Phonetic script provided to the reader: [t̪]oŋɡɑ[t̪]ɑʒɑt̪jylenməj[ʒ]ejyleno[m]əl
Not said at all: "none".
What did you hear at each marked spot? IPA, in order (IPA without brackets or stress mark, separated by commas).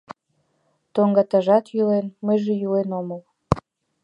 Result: t̪, t̪, ʒ, m